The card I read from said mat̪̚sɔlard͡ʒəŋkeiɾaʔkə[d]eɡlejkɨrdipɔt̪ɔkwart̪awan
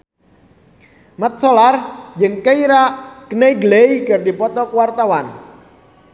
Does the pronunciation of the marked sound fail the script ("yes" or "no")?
yes